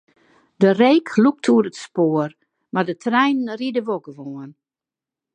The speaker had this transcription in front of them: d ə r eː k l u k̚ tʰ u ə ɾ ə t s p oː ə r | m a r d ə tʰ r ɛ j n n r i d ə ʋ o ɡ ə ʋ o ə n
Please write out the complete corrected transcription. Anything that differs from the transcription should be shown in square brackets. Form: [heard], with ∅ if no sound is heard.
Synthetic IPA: d ə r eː k l u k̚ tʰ u ə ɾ ə t s p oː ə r | m a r d ə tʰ r ɛ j n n r i d ə ʋ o ɡ ə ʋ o ə n

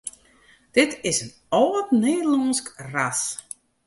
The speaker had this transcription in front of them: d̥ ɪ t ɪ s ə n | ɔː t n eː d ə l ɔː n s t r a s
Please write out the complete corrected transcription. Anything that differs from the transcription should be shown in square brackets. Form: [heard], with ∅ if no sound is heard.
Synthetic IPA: d̥ ɪ t ɪ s ə n | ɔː t n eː d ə l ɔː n s [k] r a s

